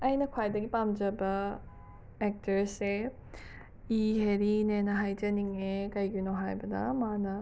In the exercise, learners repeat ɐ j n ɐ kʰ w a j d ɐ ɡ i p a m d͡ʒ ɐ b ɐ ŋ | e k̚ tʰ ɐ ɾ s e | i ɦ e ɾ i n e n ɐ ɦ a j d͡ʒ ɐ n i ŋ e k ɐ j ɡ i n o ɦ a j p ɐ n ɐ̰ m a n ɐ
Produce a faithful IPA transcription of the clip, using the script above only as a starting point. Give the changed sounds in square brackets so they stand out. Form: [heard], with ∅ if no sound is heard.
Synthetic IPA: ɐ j n ɐ kʰ w a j d ɐ ɡ i p a m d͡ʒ ɐ b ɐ [∅] | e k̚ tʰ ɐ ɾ s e | i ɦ e ɾ i n e n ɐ ɦ a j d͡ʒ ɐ n i ŋ e k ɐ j ɡ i n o ɦ a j [b] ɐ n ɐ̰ m a n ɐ